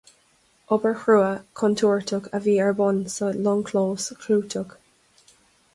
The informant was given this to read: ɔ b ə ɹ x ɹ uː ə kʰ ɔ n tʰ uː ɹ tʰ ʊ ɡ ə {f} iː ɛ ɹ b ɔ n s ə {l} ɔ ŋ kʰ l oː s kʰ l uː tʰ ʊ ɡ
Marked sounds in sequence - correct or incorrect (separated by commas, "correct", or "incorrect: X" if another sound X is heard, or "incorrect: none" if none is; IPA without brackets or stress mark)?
incorrect: v, correct